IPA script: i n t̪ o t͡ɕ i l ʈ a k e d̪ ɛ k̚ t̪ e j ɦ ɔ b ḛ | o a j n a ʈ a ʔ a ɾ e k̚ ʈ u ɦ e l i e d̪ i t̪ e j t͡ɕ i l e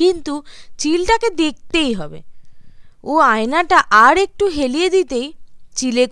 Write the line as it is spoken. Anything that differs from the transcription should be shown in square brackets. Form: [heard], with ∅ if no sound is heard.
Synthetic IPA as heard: i n t̪ [u] t͡ɕ i l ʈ a k e d̪ [e] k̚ t̪ e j ɦ ɔ b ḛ | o a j n a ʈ a ʔ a ɾ e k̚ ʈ u ɦ e l i e d̪ i t̪ e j t͡ɕ i l e